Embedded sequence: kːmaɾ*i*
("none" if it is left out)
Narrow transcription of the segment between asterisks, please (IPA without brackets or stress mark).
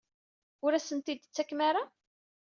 a